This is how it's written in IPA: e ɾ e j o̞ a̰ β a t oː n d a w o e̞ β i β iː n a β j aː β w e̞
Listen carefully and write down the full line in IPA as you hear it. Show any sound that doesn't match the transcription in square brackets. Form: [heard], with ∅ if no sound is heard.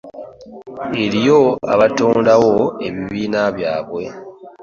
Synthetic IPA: e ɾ [i] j o̞ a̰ β a t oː n d a w o e̞ β i β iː n a β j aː β w e̞